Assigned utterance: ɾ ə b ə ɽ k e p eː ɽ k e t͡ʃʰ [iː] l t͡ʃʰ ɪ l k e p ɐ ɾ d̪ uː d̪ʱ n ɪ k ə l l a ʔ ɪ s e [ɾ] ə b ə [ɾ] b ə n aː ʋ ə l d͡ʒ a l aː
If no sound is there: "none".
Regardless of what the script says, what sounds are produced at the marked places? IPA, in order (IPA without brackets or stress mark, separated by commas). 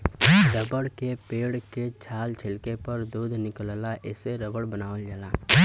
aː, ɾ, ɽ